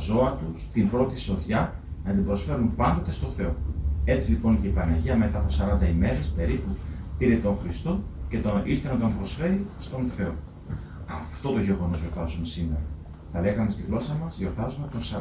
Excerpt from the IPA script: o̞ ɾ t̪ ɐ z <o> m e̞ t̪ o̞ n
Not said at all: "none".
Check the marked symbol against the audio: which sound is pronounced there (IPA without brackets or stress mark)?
u